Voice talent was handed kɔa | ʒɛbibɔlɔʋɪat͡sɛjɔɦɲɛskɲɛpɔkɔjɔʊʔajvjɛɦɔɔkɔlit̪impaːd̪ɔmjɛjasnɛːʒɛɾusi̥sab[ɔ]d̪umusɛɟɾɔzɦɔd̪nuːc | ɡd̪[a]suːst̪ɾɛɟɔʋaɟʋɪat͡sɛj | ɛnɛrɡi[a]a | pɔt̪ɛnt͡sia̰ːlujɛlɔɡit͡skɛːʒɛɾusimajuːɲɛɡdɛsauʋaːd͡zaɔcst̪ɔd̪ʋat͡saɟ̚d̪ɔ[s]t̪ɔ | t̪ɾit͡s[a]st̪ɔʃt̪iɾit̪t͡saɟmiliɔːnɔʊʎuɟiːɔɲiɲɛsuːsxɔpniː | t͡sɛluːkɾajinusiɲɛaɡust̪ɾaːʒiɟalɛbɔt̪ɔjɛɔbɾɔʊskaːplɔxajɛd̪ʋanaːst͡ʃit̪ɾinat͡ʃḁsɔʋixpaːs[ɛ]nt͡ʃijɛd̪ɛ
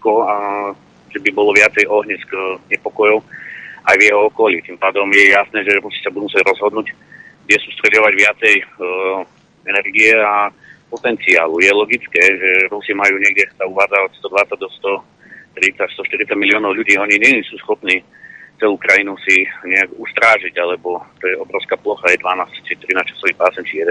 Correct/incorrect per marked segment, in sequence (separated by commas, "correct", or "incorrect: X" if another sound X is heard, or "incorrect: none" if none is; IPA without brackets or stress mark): incorrect: u, incorrect: ɛ, incorrect: ɛ, correct, correct, correct